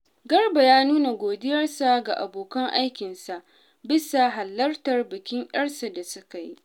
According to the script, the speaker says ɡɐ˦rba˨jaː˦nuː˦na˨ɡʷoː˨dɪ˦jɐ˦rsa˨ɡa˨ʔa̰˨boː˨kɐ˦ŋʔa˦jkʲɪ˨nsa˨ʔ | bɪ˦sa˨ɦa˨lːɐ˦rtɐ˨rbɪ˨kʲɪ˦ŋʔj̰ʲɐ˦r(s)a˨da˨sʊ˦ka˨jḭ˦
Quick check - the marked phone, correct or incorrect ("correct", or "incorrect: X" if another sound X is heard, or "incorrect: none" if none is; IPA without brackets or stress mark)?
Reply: correct